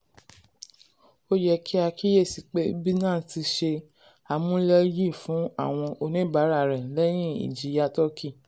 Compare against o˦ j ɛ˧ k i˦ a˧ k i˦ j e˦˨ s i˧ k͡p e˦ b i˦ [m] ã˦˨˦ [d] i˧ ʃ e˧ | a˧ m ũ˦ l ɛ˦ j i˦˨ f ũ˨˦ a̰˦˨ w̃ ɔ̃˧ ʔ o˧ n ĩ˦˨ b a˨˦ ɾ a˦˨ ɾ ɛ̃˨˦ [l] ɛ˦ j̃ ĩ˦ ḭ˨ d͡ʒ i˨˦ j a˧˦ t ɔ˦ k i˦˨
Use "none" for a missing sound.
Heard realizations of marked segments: n, t, l

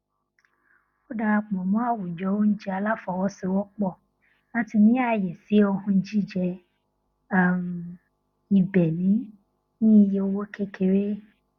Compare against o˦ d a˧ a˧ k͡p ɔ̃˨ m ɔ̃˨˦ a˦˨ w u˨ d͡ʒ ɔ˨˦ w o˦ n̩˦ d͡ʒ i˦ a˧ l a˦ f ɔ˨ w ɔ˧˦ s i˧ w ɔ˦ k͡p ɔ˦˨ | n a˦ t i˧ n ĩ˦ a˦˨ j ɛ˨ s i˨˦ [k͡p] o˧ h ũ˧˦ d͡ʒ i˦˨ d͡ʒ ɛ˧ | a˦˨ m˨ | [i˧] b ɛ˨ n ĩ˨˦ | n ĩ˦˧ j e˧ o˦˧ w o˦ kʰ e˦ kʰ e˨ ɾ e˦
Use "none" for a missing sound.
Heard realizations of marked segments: none, i˧

